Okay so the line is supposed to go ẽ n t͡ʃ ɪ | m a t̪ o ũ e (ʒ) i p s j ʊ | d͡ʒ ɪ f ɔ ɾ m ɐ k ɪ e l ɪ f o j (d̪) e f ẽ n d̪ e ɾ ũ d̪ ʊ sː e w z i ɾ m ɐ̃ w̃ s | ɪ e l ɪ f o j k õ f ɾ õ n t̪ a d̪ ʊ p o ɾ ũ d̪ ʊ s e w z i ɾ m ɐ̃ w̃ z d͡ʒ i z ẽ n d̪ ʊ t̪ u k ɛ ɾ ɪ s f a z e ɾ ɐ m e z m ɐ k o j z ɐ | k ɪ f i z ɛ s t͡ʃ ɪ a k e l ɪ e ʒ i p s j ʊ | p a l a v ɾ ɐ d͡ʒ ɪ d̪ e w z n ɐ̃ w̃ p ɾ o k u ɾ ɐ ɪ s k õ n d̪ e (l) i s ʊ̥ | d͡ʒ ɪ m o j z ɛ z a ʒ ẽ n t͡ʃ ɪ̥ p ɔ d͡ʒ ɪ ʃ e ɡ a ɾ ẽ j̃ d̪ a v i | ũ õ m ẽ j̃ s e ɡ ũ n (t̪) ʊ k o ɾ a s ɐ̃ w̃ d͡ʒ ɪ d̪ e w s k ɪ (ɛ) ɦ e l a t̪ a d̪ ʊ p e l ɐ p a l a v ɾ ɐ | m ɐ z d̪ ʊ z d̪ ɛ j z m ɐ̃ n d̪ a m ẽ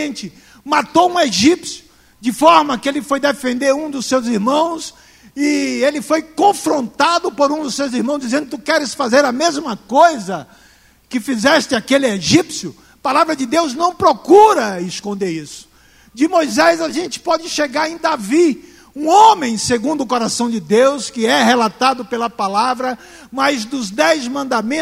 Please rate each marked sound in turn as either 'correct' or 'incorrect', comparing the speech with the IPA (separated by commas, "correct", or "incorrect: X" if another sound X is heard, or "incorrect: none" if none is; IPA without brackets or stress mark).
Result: correct, correct, incorrect: ɾ, incorrect: d̪, correct